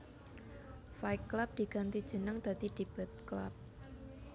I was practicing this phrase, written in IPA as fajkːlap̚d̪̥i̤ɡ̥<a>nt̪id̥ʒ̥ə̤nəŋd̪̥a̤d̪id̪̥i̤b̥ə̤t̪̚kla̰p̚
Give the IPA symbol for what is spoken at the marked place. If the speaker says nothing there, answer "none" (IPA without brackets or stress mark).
a